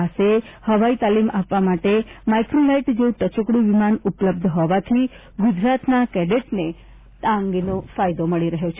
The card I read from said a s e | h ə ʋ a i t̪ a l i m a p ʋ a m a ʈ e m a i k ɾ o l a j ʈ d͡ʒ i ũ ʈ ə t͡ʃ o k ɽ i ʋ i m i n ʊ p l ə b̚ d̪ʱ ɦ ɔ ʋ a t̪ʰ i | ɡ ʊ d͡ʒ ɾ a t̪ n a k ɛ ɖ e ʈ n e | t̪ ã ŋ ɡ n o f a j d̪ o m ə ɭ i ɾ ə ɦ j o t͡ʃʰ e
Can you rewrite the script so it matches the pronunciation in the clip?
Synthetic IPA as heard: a s e | h ə ʋ a i t̪ a l i m a p ʋ a m a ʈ e m a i k ɾ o l a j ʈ d͡ʒ e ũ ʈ ə t͡ʃ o k ɽ i ʋ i m a n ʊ p l ə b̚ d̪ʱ ɦ ɔ ʋ a t̪ʰ i | ɡ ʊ d͡ʒ ɾ a t̪ n a k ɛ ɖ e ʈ n e | t̪ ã ŋ ɡ n o f a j d̪ o m ə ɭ i ɾ ə ɦ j o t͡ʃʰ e